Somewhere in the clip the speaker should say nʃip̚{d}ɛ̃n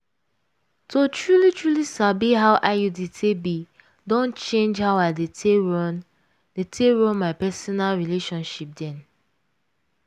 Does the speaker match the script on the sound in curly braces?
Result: yes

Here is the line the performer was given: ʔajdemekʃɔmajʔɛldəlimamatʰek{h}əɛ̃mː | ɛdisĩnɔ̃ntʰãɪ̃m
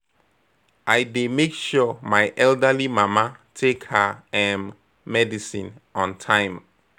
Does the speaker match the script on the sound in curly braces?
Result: yes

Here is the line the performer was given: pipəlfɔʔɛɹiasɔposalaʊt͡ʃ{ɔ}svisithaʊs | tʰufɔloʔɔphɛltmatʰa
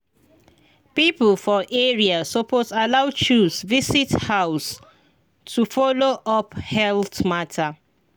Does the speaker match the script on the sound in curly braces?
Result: no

